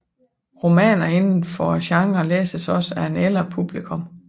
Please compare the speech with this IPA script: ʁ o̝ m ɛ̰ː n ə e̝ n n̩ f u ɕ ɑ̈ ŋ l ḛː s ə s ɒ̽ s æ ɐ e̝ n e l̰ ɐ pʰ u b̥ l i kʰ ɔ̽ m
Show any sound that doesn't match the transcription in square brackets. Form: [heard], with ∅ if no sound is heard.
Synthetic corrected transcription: ʁ o̝ m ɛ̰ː n [ɐ] e̝ n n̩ f [ɒ] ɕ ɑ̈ ŋ l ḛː s ə s ɒ̽ s æ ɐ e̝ n e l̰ ɐ pʰ u b̥ l i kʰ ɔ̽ m